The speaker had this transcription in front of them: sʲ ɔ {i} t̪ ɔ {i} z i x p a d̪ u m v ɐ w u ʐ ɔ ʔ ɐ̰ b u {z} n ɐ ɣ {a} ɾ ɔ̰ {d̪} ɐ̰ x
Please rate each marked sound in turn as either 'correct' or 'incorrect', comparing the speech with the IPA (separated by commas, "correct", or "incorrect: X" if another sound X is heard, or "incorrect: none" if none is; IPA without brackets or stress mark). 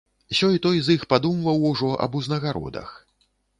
incorrect: j, incorrect: j, correct, correct, correct